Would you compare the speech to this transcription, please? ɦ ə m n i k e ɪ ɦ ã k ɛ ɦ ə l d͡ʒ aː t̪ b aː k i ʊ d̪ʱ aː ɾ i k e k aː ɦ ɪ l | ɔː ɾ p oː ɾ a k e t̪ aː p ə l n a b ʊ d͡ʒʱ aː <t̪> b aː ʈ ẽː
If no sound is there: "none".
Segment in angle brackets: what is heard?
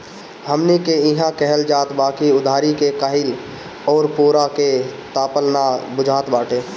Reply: t̪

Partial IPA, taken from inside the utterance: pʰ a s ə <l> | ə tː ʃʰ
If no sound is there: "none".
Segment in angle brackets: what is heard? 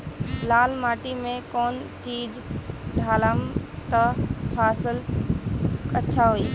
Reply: l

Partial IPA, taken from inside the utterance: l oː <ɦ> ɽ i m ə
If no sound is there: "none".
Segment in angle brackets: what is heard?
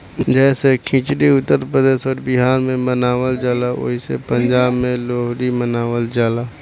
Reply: ɦ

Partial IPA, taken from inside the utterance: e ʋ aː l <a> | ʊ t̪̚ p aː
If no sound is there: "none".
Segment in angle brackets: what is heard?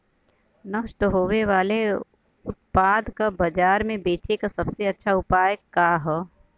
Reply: e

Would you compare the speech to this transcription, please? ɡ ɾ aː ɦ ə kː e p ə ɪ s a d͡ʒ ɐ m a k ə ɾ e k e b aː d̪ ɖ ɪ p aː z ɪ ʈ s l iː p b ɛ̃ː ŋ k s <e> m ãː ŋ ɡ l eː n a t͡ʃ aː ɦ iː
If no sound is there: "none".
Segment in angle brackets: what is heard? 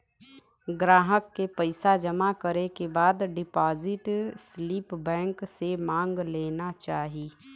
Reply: e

